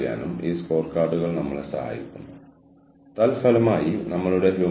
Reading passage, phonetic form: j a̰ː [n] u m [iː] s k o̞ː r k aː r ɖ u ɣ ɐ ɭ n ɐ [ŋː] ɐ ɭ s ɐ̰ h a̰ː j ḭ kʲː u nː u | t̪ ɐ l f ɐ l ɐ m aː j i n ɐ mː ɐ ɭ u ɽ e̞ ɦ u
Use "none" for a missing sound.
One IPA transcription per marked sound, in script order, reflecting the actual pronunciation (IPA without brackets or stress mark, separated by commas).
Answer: n, iː, mː